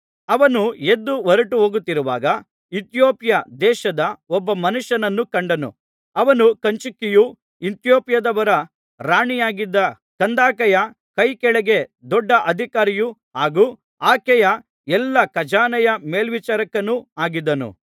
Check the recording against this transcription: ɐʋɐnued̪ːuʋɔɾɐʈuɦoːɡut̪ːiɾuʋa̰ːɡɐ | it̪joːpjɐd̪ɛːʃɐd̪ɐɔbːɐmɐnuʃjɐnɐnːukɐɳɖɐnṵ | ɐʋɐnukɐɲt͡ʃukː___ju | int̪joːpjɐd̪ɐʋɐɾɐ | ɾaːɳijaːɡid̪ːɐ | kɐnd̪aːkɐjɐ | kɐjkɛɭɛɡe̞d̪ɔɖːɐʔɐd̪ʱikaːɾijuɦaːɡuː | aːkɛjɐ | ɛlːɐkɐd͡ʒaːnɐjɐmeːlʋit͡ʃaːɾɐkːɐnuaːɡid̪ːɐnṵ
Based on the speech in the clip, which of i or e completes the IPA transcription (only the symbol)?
i